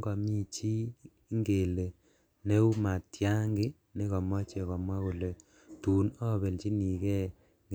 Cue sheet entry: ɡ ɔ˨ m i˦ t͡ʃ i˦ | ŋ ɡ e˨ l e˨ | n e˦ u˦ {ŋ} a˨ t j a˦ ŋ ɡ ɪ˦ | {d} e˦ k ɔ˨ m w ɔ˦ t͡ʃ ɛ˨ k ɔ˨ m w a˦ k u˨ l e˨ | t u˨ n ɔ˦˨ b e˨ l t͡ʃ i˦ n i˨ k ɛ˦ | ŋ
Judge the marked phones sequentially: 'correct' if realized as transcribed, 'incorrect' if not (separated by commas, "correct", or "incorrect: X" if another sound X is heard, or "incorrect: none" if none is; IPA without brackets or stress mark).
incorrect: m, incorrect: n